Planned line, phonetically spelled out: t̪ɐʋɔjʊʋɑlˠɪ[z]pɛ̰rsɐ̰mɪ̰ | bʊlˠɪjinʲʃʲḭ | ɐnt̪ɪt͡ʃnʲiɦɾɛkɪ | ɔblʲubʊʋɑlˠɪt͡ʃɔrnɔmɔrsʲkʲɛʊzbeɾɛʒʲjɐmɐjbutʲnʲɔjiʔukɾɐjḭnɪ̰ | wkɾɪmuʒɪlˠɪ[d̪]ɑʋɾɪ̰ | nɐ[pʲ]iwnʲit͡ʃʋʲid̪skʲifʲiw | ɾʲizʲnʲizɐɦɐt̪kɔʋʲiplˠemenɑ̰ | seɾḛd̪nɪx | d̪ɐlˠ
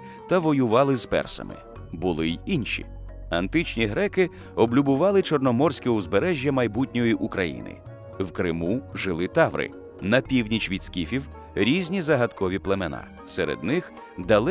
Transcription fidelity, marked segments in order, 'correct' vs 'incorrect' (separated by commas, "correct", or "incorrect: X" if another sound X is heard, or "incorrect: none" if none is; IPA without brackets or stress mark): correct, incorrect: t̪, correct